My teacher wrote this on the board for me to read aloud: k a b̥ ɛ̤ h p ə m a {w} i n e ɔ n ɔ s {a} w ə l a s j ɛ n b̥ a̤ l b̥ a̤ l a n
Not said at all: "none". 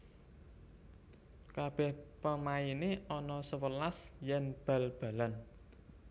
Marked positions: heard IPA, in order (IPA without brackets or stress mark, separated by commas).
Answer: none, ə